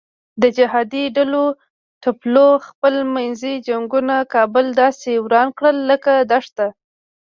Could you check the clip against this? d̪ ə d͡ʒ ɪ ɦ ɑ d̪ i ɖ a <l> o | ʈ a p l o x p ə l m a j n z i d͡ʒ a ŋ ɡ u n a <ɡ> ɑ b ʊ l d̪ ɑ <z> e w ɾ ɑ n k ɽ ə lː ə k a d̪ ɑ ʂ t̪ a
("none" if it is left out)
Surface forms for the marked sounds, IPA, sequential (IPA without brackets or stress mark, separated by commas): l, k, s